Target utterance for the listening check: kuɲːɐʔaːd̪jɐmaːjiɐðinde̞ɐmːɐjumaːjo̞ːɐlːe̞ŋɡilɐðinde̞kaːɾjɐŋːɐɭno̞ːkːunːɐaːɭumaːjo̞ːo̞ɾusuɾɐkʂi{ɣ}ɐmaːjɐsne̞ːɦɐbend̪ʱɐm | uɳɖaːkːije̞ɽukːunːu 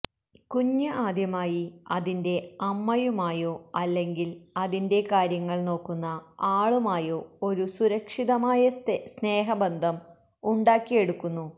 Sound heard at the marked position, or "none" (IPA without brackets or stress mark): ð